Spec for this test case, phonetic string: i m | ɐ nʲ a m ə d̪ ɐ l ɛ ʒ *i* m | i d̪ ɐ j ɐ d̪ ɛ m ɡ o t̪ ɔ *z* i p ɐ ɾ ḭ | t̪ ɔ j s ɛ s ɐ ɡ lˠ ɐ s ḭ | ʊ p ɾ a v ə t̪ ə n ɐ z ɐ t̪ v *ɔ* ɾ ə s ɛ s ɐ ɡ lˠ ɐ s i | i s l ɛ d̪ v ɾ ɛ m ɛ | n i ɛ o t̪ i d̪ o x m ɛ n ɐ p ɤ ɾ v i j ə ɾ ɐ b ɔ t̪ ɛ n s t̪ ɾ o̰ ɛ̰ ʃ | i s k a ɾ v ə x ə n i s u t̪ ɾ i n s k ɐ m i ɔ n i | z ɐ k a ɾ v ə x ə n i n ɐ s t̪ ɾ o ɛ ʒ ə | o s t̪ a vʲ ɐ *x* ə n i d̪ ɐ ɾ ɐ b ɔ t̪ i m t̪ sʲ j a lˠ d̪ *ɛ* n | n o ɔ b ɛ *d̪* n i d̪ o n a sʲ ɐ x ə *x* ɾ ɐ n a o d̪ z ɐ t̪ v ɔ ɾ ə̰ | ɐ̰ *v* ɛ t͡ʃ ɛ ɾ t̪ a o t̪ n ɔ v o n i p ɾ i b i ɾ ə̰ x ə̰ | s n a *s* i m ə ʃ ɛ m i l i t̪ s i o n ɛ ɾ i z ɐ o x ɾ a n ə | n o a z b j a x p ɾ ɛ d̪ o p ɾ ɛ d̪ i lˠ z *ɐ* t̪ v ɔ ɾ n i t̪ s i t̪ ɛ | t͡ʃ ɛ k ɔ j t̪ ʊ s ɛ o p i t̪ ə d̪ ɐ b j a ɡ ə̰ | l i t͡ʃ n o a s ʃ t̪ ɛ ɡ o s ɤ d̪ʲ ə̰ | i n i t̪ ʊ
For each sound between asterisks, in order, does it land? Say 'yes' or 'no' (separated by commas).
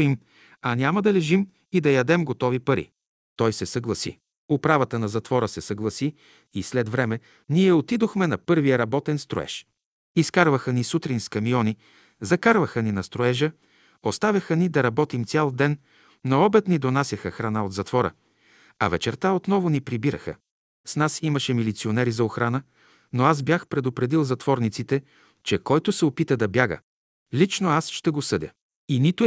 yes, no, yes, yes, yes, no, yes, yes, yes, yes